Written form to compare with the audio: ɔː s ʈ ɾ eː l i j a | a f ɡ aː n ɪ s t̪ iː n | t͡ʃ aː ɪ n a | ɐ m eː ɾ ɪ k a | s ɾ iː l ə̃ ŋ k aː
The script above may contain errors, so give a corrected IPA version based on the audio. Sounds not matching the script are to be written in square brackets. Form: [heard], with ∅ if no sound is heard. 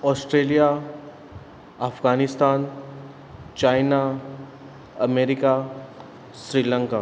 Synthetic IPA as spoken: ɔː s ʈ ɾ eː l i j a | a f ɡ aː n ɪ s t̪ [aː] n | t͡ʃ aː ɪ n a | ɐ m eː ɾ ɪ k a | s ɾ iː l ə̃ ŋ k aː